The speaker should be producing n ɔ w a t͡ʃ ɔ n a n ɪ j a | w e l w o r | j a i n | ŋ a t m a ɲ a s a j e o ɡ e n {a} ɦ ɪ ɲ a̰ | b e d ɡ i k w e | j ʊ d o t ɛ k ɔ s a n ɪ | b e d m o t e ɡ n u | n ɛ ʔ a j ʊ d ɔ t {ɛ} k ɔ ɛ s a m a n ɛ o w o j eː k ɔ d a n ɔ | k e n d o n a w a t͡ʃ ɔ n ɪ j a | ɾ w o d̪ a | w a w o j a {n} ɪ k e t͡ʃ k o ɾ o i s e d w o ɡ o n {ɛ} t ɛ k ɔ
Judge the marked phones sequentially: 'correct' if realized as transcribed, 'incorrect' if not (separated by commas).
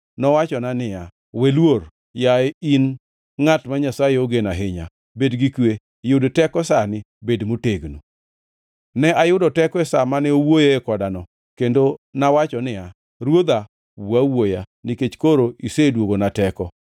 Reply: correct, correct, correct, incorrect